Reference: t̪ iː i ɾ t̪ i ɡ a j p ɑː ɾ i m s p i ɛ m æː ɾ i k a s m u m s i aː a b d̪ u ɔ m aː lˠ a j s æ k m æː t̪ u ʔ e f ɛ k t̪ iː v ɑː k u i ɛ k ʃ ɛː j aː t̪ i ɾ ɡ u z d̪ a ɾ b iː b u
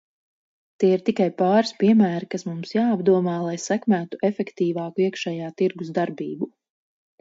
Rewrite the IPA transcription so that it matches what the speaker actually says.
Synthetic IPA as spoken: t̪ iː i ɾ t̪ i k a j p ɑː ɾ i s p i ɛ m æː ɾ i k a s m u m s j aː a b d̪ u ɔ m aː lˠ a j s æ k m æː t̪ u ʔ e f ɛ k t̪ iː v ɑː k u i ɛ k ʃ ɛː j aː t̪ i ɾ ɡ u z d̪ a ɾ b iː b u